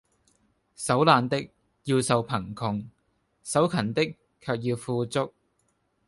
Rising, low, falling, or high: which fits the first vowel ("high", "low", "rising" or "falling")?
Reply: rising